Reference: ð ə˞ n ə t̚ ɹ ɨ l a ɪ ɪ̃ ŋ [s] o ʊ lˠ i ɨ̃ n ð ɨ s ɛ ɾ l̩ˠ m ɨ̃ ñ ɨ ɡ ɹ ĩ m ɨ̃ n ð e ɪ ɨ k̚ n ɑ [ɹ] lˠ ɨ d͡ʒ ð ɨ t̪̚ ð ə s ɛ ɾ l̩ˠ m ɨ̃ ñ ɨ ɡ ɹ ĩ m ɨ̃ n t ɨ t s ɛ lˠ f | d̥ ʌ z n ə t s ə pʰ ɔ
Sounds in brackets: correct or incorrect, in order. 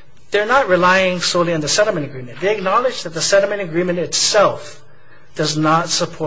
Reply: correct, incorrect: none

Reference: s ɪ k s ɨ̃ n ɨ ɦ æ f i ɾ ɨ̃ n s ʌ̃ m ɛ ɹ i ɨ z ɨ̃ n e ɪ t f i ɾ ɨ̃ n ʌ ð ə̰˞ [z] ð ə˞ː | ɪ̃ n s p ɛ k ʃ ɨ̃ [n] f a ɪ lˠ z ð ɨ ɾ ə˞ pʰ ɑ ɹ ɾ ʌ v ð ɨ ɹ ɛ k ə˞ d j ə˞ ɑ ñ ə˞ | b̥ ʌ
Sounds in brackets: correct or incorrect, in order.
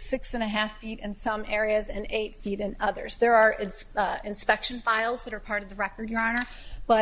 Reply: correct, correct

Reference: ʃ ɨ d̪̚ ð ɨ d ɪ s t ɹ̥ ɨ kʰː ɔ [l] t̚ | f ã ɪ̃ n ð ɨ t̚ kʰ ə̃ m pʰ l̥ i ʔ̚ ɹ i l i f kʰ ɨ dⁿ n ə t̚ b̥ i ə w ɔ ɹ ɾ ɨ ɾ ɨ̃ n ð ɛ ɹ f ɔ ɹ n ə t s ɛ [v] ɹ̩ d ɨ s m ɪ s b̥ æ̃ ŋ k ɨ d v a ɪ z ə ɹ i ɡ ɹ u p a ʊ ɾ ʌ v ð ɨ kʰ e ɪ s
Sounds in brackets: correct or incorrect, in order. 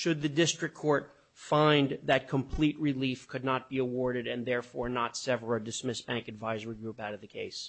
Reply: incorrect: ɹ, correct

